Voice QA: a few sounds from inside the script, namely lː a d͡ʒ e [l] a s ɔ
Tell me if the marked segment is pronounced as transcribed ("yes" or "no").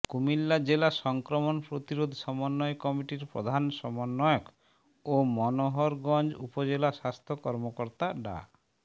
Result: yes